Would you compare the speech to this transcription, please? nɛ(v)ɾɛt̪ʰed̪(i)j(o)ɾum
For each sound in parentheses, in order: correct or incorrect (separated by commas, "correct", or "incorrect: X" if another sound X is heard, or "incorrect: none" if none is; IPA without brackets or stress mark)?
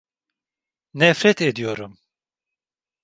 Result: incorrect: f, correct, correct